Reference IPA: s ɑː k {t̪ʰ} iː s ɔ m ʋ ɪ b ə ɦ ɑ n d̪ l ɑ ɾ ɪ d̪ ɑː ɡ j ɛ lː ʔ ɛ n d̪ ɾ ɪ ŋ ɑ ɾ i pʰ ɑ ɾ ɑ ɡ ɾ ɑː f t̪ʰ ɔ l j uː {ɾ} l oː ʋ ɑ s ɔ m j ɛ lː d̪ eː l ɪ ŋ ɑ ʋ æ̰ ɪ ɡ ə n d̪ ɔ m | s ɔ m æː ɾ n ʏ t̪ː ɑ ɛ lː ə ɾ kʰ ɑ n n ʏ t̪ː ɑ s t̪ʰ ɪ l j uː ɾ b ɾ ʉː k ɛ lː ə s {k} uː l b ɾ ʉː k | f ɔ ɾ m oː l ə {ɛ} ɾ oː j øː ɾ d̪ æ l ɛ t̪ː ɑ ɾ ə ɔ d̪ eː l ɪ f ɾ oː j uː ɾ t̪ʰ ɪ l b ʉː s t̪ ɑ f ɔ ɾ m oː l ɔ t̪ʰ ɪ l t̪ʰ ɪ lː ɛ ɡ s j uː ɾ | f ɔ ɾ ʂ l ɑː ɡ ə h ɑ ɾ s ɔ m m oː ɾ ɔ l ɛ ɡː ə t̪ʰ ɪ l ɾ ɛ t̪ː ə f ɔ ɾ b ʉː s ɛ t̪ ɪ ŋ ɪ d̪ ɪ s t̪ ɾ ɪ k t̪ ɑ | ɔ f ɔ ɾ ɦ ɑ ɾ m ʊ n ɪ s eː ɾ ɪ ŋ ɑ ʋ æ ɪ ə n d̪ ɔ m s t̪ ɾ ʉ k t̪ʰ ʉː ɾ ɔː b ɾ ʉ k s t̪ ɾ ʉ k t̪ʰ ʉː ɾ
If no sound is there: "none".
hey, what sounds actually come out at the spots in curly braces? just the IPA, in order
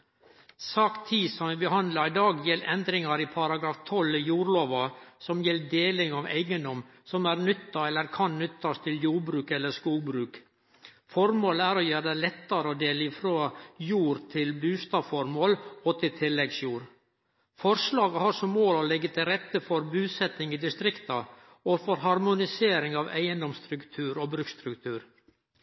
t̪ʰ, ɾ, k, æ

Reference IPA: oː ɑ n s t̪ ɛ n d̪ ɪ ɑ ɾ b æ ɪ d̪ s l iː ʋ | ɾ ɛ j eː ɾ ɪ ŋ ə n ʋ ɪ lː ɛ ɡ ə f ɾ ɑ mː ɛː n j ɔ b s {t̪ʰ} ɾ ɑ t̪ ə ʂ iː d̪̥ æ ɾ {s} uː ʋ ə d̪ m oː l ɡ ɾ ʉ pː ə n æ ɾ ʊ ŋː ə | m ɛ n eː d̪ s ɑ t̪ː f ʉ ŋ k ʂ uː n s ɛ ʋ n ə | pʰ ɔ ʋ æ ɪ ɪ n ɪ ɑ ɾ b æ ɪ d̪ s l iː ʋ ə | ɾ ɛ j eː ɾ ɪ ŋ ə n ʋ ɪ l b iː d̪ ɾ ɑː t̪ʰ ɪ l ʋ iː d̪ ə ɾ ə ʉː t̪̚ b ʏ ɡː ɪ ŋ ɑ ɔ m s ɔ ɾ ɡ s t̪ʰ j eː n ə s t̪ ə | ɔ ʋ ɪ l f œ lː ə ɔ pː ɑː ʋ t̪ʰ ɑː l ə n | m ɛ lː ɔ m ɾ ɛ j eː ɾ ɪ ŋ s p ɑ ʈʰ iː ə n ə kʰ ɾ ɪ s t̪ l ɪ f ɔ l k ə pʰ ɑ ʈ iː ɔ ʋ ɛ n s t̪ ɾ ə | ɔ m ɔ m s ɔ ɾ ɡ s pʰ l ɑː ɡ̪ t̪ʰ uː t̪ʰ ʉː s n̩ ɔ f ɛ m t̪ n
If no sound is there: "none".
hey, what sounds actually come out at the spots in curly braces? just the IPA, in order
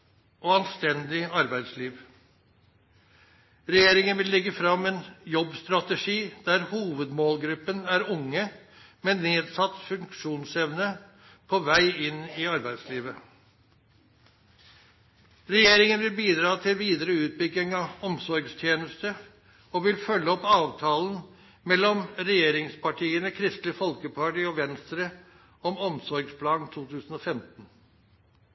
t̪, h

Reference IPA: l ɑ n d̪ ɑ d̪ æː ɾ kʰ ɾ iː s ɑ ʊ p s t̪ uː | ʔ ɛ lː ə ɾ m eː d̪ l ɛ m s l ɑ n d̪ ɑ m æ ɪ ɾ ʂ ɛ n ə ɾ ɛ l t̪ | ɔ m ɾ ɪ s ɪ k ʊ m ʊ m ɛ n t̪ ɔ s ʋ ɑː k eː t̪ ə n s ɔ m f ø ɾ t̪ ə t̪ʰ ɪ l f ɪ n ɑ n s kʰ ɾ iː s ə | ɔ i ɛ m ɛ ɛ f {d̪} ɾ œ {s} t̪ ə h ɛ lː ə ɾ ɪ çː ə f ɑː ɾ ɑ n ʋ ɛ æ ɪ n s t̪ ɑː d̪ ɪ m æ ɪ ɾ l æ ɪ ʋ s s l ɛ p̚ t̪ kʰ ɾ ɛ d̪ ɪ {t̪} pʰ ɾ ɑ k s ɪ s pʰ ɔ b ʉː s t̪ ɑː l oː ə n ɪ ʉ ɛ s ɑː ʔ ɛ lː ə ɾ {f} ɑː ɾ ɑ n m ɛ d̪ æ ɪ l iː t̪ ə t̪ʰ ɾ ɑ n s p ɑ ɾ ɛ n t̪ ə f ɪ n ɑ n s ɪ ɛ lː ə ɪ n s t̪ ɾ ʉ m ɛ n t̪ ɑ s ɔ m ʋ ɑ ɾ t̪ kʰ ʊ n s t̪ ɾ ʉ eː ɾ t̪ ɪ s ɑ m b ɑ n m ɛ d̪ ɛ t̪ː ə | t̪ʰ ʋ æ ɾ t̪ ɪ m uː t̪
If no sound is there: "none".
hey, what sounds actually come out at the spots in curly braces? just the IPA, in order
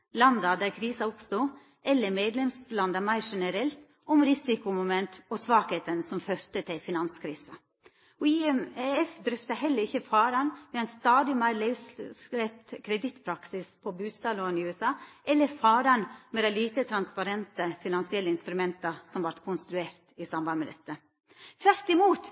d̪, f, t̪, f

